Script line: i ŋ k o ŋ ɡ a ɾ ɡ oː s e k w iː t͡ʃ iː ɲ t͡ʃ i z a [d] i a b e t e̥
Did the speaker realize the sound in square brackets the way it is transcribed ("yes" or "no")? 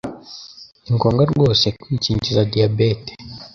yes